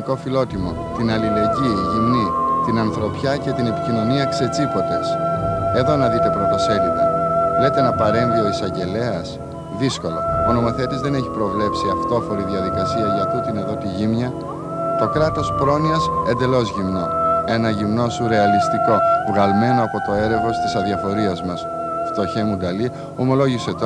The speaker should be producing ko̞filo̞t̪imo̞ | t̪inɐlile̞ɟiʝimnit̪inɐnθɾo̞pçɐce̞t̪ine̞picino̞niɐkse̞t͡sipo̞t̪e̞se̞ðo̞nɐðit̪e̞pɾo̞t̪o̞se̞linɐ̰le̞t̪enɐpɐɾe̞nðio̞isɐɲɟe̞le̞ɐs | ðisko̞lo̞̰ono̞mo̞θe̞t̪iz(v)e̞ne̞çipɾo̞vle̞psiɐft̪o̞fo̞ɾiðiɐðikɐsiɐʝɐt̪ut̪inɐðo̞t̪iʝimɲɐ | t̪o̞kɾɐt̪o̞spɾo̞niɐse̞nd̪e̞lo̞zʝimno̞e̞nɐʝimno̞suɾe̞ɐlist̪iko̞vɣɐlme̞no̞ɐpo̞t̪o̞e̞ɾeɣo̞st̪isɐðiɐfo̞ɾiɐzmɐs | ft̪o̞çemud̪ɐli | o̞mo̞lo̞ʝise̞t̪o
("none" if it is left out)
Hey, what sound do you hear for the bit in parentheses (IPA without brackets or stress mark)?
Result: ð